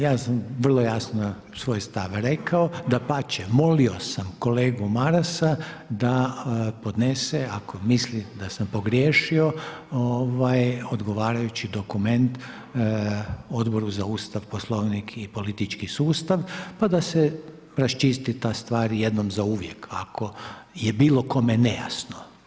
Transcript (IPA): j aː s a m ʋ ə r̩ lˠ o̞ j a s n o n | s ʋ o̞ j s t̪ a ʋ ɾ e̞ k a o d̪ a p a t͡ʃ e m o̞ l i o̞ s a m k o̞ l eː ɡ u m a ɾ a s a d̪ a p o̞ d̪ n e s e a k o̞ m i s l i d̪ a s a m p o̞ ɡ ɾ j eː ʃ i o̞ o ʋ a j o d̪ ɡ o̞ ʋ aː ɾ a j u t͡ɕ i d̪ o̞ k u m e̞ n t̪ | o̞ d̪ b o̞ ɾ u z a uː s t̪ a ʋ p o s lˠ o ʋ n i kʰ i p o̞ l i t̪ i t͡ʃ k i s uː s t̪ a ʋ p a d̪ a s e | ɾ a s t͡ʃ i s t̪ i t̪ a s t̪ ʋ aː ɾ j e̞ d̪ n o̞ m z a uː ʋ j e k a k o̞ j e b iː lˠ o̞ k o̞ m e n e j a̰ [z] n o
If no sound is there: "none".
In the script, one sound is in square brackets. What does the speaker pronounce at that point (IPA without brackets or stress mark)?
s